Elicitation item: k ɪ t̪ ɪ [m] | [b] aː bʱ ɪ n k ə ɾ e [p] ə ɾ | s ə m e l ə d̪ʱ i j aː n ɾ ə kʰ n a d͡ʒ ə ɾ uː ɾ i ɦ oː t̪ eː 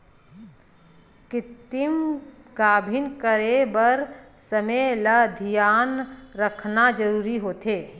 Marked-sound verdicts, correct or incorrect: correct, incorrect: ɡ, incorrect: b

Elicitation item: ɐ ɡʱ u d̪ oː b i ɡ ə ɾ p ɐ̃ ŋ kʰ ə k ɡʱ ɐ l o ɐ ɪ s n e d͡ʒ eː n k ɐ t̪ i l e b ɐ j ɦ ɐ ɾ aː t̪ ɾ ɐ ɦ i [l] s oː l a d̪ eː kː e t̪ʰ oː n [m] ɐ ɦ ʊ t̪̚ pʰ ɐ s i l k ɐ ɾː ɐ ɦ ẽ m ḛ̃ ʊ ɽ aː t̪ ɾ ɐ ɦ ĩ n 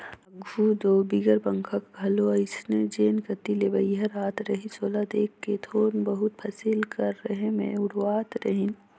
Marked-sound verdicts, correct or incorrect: incorrect: none, incorrect: b

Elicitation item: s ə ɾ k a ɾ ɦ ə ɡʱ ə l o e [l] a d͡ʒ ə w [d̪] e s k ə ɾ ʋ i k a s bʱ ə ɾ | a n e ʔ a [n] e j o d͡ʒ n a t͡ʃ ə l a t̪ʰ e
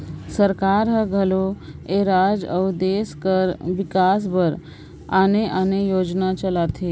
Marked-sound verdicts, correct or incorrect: incorrect: ɾ, correct, correct

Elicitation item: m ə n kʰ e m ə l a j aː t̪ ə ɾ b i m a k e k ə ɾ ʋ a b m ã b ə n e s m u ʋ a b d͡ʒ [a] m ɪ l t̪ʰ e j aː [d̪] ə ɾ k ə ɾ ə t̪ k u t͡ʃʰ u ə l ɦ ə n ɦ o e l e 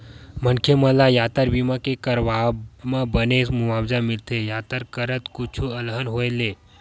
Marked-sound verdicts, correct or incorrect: correct, incorrect: t̪

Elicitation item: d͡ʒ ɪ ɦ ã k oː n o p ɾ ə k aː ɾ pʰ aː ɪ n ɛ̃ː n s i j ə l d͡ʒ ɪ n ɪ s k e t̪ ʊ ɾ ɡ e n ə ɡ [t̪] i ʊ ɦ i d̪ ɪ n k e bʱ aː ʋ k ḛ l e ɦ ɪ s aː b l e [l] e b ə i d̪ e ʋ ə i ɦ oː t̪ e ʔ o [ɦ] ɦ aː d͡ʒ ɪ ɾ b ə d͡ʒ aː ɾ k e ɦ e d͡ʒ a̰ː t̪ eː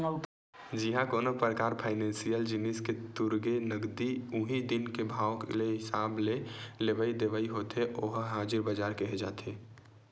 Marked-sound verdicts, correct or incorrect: incorrect: d̪, correct, correct

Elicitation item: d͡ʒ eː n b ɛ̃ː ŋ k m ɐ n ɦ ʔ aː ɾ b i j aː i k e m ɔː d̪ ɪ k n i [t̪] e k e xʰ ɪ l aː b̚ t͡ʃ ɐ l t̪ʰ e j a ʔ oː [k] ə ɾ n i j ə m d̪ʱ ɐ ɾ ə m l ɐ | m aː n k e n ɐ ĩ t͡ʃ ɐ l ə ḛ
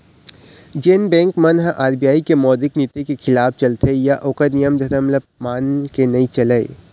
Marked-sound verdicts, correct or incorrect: correct, correct

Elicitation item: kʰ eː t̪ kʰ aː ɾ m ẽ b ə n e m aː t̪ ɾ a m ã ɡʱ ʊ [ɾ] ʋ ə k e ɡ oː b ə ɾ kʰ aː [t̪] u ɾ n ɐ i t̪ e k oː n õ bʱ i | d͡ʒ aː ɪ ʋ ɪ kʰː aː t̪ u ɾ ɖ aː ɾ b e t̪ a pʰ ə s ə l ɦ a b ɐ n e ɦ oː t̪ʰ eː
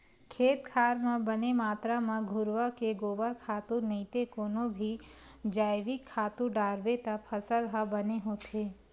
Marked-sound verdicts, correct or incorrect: correct, correct

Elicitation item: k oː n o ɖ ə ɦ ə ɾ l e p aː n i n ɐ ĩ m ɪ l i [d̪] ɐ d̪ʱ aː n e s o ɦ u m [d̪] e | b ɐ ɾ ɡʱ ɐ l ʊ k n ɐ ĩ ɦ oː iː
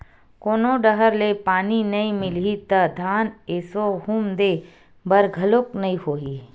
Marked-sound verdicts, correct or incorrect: incorrect: t̪, correct

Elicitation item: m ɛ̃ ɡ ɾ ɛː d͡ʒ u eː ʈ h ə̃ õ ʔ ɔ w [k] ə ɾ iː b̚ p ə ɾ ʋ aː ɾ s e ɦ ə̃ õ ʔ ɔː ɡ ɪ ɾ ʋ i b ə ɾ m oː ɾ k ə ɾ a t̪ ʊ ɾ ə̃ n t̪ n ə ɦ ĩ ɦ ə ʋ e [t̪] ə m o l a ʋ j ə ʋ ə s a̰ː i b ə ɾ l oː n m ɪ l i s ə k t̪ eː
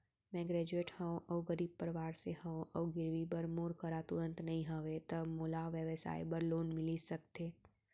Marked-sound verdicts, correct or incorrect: incorrect: ɡ, correct

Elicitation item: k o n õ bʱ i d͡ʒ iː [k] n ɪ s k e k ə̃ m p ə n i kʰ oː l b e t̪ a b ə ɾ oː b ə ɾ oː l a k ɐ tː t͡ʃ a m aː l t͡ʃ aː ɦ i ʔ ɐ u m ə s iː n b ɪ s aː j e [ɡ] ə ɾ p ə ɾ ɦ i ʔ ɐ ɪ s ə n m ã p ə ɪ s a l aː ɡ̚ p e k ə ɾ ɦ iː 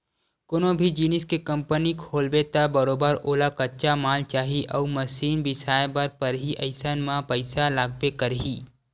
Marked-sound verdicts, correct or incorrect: incorrect: none, incorrect: b

